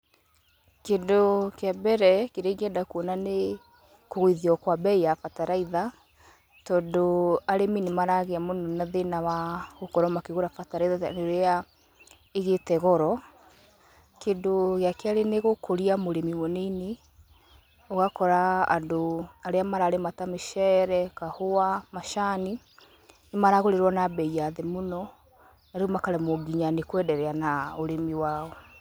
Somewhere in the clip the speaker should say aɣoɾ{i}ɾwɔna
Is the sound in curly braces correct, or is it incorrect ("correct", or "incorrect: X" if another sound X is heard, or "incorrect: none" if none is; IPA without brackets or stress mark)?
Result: incorrect: e